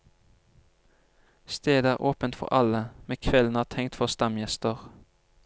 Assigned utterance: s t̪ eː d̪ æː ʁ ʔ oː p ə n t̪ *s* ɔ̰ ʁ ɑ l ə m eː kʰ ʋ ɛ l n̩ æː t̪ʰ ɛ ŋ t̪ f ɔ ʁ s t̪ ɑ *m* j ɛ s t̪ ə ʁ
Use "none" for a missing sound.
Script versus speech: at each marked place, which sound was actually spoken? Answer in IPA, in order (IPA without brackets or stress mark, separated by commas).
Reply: f, m